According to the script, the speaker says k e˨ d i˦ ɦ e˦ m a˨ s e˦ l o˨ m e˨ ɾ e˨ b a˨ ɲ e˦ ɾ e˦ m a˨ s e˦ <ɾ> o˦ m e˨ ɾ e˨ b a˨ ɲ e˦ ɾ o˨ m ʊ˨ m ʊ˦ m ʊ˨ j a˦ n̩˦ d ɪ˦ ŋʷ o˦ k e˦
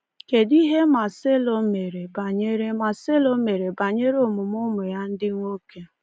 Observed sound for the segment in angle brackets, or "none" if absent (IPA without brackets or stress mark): l